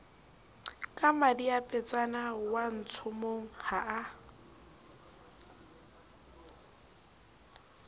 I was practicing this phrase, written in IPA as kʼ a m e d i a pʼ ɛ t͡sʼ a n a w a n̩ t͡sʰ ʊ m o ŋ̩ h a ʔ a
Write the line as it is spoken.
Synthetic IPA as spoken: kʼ a m a d i a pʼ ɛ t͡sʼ a n a w a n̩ t͡sʰ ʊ m o ŋ̩ h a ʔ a